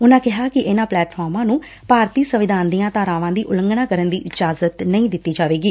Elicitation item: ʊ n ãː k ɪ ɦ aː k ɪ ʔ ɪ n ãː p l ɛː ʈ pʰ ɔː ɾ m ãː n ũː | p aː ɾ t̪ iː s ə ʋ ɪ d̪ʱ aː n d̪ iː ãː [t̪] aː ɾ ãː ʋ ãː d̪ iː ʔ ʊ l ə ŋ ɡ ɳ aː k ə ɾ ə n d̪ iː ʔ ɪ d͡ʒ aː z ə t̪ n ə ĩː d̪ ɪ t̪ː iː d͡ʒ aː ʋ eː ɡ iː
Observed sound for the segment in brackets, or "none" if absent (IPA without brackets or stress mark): t̪